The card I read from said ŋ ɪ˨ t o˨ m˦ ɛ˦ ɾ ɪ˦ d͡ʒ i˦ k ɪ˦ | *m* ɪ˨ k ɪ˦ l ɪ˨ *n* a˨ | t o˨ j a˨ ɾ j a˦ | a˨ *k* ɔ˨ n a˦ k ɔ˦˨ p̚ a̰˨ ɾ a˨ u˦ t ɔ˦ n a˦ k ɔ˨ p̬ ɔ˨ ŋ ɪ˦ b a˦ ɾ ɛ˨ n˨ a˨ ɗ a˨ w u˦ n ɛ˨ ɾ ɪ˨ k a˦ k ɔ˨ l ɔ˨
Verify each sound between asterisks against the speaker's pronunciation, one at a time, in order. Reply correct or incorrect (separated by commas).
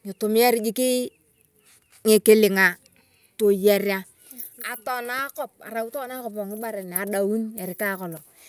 incorrect, incorrect, incorrect